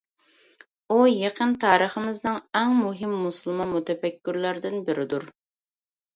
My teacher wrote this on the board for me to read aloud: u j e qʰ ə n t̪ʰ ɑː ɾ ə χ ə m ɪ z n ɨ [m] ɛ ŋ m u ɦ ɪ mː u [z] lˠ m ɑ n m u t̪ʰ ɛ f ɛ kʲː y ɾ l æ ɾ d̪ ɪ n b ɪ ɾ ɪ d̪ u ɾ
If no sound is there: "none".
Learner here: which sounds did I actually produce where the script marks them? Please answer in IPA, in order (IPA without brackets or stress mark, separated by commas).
ŋ, s